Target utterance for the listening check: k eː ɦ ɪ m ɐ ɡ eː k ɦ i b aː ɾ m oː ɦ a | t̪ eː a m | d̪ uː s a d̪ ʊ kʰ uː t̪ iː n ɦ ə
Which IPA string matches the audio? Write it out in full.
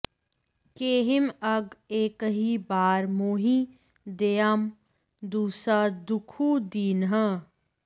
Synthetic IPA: k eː ɦ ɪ m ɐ ɡ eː k ɦ i b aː ɾ m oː ɦ i | d̪ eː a m | d̪ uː s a d̪ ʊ kʰ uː d̪ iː n ɦ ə